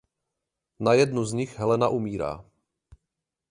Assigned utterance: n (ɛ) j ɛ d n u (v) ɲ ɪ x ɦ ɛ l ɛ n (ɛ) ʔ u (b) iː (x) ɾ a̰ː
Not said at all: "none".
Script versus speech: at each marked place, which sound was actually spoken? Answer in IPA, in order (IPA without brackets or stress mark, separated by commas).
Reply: a, z, a, m, none